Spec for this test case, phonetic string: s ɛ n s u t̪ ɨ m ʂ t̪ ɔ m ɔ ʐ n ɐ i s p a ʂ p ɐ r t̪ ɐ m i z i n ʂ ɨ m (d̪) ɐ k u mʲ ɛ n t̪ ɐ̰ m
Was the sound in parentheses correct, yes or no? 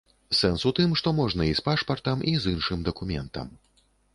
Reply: yes